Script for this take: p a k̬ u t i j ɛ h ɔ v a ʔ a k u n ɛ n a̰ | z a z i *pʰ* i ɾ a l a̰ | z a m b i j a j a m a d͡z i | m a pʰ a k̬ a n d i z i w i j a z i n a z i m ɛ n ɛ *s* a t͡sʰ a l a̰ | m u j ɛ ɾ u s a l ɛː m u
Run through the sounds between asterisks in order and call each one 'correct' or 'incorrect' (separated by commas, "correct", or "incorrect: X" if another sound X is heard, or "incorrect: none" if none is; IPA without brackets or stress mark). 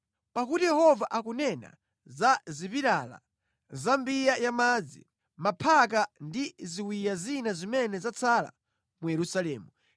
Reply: incorrect: p, incorrect: z